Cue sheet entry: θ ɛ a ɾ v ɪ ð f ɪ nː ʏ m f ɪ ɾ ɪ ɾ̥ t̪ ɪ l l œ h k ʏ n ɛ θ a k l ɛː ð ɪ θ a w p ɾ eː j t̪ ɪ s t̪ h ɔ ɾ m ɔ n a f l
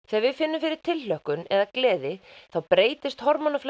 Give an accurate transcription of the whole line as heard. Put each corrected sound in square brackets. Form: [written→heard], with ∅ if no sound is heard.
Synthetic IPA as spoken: θ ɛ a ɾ v ɪ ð f ɪ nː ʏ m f ɪ ɾ ɪ ɾ̥ [t̪→t̪ʰ] ɪ l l œ h k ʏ n ɛ [θ→ð] a k l ɛː ð ɪ θ a w p ɾ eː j t̪ ɪ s t̪ h ɔ ɾ m ɔ n a f l